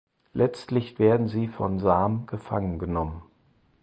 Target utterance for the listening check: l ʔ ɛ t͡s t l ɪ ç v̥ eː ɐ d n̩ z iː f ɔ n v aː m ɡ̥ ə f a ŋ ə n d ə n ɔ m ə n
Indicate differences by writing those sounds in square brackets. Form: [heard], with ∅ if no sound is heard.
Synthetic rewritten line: l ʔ ɛ t͡s t l ɪ ç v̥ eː ɐ d n̩ z iː f ɔ n [z] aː m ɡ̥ ə f a ŋ ə n [ɡ] ə n ɔ m ə n

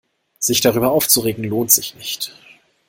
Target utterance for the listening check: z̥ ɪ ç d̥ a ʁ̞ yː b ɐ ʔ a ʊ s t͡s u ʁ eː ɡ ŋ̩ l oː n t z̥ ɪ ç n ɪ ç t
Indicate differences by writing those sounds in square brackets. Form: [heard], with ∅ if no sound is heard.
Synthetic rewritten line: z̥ ɪ ç d̥ a ʁ̞ yː b ɐ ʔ a ʊ [f] t͡s u ʁ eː ɡ ŋ̩ l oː n t z̥ ɪ ç n ɪ ç t

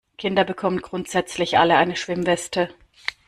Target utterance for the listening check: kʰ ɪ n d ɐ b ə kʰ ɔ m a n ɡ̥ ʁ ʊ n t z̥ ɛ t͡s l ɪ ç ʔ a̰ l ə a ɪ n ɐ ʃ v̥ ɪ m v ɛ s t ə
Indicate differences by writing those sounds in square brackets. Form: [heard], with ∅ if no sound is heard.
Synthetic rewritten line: kʰ ɪ n d ɐ b ə kʰ ɔ m [ə] n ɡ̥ ʁ ʊ n t z̥ ɛ t͡s l ɪ ç ʔ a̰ l ə a ɪ n [ə] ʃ v̥ ɪ m v ɛ s t ə

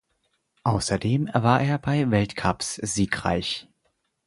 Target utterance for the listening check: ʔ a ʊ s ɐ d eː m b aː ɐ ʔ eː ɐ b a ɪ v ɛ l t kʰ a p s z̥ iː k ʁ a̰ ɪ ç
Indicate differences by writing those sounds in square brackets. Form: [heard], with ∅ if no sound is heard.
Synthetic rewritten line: ʔ a ʊ s ɐ d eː m [v] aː ɐ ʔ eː ɐ b a ɪ v ɛ l t kʰ a p s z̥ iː k ʁ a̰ ɪ ç

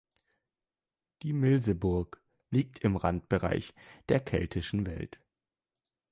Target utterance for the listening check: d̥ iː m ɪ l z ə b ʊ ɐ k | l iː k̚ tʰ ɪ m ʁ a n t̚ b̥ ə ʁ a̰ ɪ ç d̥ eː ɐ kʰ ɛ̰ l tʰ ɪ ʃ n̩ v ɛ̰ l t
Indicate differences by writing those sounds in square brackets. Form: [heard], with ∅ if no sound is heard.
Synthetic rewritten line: d̥ iː m ɪ l z ə b ʊ ɐ k | l iː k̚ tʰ ɪ m ʁ a n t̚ b̥ ə ʁ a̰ ɪ ç d̥ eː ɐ kʰ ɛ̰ l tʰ ɪ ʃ n̩ v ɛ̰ l t

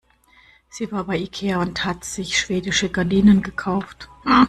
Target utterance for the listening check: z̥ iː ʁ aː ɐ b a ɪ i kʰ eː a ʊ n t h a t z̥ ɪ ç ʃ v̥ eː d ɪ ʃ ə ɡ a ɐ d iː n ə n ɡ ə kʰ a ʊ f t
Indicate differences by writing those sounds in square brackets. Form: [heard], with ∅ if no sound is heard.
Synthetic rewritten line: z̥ iː [v] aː ɐ b a ɪ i kʰ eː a ʊ n t h a t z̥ ɪ ç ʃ v̥ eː d ɪ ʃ ə ɡ a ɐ d iː n ə n ɡ ə kʰ a ʊ f t

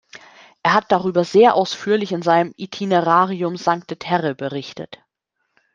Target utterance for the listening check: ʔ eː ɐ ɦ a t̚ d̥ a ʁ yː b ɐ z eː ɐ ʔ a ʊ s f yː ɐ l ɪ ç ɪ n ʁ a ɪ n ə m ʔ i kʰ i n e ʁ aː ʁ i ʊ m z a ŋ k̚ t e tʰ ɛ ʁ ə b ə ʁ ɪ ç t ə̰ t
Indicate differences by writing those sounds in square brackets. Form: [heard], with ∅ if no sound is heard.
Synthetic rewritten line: ʔ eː ɐ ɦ a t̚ d̥ a ʁ yː b ɐ z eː ɐ ʔ a ʊ s f yː ɐ l ɪ ç ɪ n [z] a ɪ n ə m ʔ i [tʰ] i n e ʁ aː ʁ i ʊ m z a ŋ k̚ t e tʰ ɛ ʁ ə b ə ʁ ɪ ç t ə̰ t

